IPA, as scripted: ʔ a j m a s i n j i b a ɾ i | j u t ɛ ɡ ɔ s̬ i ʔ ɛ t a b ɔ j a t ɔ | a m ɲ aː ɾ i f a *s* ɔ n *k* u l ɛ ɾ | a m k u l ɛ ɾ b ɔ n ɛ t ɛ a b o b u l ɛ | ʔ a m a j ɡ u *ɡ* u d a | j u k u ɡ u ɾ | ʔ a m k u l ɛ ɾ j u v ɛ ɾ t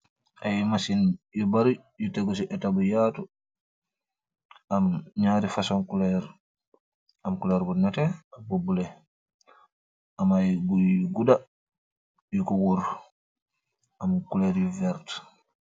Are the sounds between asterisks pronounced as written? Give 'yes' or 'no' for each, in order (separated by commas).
yes, yes, yes